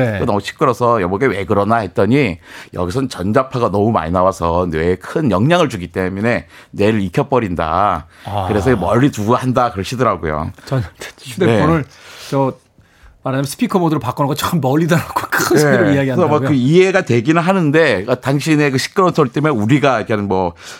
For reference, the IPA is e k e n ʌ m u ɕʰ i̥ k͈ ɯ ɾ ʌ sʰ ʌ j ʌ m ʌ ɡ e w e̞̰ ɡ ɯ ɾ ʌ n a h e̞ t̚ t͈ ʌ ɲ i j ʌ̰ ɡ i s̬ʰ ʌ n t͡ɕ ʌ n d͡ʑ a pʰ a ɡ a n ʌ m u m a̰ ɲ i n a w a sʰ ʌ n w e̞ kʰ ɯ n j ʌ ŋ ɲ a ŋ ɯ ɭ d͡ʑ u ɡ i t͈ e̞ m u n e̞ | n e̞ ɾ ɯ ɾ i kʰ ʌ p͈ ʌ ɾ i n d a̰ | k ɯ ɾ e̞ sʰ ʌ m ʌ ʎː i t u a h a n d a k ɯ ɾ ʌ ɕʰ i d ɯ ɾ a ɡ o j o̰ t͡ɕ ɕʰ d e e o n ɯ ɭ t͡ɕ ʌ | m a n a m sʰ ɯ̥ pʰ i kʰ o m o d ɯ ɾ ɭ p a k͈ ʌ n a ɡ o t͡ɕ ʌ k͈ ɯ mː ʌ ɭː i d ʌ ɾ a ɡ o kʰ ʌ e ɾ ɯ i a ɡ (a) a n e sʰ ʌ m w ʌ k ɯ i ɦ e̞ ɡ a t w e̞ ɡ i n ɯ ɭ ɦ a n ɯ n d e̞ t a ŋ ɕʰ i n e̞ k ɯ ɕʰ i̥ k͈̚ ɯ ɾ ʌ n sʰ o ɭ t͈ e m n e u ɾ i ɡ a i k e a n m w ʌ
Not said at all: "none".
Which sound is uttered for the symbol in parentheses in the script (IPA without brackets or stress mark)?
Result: i